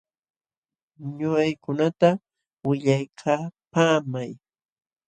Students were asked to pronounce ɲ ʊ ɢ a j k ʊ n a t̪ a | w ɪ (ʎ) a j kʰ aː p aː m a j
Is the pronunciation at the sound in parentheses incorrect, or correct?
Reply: correct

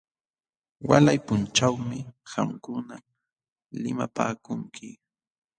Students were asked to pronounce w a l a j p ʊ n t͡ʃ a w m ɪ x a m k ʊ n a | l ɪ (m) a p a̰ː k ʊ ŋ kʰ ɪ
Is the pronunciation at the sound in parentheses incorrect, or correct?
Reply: correct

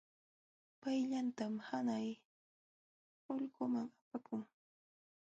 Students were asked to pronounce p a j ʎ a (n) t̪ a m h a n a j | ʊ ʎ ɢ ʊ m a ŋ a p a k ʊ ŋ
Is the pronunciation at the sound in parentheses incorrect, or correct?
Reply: correct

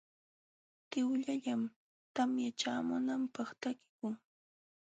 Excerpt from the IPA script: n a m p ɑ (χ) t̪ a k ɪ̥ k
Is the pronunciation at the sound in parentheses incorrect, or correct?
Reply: correct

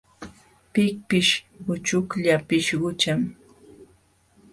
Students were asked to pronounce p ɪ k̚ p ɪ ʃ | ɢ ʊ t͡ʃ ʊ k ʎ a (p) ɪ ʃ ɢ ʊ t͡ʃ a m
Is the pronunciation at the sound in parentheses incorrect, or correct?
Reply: correct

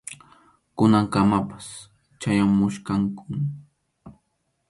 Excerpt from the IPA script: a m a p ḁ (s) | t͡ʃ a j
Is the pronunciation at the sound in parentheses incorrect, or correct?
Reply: correct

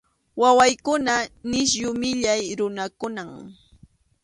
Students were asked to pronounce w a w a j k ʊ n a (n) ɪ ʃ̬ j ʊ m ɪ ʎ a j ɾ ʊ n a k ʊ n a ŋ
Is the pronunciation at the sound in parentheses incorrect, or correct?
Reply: correct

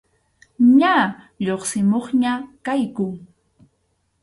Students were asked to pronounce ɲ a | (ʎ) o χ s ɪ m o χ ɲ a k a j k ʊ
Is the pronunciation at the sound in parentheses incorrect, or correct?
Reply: correct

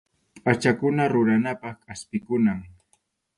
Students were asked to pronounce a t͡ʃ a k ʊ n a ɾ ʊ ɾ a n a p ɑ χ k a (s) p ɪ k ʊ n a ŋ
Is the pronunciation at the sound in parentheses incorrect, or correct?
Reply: correct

